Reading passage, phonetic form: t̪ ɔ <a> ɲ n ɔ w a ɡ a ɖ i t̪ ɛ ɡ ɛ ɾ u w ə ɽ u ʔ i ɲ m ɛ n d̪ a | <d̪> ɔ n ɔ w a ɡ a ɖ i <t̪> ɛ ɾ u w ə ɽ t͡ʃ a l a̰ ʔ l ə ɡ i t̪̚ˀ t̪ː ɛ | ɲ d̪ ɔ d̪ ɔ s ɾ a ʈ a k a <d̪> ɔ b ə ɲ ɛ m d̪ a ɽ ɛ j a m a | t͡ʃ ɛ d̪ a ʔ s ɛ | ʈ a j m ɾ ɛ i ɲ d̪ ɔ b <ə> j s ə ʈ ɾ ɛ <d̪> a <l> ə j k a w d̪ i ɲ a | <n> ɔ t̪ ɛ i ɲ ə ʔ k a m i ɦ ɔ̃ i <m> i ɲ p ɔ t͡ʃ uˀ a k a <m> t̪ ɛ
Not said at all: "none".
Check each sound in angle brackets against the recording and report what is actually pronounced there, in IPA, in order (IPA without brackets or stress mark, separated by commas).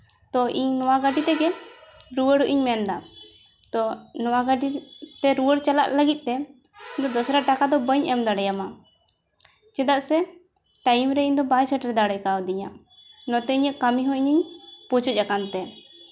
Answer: i, t̪, t̪, d̪, a, d̪, ɽ, n, ɲ, n